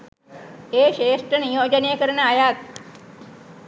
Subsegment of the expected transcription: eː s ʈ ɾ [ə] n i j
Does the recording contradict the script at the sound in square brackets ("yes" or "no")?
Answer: no